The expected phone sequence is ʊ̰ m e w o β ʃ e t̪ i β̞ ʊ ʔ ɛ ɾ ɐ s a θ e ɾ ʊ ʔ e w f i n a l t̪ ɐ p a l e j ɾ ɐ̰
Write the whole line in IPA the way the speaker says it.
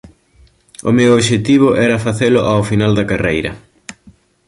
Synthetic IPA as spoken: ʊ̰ m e w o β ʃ e t̪ i β̞ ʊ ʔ ɛ ɾ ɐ f a θ e l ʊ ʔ a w f i n a l d̪ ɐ k a r e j ɾ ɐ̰